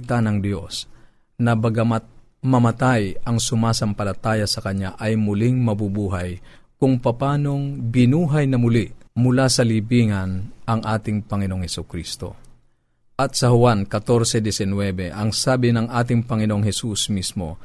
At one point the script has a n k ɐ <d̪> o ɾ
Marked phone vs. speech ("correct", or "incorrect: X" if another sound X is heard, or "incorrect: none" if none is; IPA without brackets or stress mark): incorrect: t̪